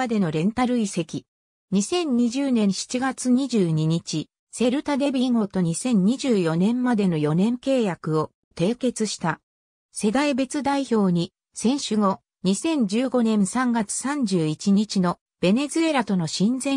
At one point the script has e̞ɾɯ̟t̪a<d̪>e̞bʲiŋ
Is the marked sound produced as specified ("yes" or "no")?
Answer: yes